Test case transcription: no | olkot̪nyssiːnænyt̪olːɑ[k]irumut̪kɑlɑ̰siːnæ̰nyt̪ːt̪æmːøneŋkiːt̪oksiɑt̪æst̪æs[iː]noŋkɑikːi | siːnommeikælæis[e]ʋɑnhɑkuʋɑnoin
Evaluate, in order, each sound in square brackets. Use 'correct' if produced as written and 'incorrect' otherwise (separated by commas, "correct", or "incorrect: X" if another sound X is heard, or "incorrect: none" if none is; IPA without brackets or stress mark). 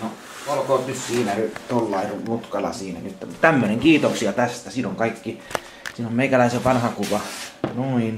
incorrect: none, correct, correct